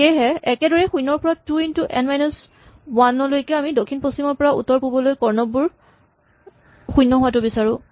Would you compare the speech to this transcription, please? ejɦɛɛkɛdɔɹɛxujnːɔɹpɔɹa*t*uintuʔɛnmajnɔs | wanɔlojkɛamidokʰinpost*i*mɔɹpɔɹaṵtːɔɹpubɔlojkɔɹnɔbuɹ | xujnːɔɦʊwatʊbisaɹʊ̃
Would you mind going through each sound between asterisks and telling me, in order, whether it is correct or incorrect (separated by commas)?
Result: correct, correct